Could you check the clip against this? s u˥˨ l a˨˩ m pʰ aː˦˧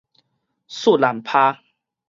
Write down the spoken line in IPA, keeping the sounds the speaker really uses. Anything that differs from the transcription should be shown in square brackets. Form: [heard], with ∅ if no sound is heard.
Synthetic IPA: s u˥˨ l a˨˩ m pʰ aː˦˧